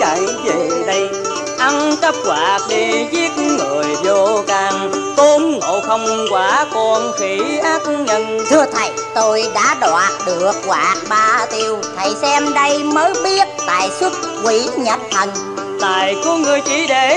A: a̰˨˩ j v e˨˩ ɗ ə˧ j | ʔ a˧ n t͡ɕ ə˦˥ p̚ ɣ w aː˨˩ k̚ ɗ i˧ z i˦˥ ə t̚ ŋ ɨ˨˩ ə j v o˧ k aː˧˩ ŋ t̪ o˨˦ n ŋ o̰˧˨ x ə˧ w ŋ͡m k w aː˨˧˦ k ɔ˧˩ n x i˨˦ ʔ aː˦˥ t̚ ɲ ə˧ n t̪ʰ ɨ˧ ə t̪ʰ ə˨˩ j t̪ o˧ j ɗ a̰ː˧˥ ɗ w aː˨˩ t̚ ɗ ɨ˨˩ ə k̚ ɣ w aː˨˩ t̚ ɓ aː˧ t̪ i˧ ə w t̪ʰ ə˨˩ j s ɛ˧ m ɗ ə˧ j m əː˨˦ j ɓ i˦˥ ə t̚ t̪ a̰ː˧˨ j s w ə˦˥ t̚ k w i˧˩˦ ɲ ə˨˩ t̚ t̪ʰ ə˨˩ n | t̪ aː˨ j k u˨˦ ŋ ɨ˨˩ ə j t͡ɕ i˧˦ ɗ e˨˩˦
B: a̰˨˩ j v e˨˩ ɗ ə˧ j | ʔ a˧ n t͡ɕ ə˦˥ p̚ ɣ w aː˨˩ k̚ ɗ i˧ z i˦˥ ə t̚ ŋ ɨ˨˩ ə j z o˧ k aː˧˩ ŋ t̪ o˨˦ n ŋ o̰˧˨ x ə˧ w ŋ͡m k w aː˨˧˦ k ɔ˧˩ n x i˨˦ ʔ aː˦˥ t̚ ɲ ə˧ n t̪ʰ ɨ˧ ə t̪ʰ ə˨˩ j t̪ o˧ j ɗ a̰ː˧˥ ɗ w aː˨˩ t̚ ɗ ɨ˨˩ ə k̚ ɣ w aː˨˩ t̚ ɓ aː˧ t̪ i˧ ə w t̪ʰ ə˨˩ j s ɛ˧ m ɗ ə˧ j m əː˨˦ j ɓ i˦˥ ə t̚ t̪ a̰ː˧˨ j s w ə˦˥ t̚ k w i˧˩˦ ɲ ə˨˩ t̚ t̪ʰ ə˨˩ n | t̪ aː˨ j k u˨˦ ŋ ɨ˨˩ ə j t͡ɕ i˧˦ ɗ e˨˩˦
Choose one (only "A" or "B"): B